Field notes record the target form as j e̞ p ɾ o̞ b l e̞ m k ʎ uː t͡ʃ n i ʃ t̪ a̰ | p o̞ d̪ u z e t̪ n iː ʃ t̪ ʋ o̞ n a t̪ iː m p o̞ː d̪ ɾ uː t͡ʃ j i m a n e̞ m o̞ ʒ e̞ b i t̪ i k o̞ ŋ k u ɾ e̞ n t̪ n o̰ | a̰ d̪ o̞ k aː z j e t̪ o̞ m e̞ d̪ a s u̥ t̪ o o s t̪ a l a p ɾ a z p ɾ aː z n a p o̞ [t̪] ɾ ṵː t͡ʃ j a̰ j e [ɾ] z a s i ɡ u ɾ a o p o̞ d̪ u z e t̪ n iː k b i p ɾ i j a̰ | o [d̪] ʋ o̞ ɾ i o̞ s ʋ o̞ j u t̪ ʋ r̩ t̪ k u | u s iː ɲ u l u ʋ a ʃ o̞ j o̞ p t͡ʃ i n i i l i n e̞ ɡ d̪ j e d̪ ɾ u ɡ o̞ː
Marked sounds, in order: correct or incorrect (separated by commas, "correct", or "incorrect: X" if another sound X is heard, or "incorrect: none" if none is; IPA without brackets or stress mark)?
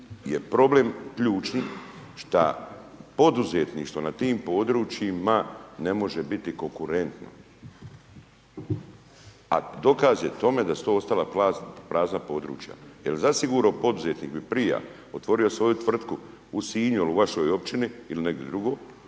incorrect: d̪, incorrect: l, incorrect: t̪